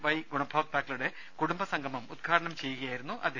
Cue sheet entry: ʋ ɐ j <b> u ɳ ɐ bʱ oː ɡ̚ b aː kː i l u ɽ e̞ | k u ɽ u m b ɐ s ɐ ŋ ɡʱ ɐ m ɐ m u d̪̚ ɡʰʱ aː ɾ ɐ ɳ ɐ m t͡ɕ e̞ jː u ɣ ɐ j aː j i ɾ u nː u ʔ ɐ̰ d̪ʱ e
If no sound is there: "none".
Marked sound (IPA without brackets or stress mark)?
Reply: ɡ